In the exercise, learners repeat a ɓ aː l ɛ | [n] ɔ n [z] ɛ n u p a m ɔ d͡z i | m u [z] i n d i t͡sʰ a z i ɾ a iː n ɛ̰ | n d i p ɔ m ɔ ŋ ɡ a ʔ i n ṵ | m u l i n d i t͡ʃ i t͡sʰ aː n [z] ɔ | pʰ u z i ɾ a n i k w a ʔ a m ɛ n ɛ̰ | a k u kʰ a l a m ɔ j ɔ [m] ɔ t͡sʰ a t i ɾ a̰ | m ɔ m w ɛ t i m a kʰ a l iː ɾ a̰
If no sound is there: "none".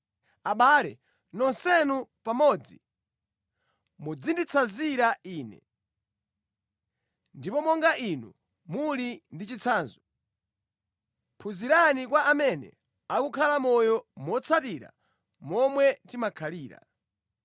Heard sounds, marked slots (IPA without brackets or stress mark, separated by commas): n, s, d͡z, z, m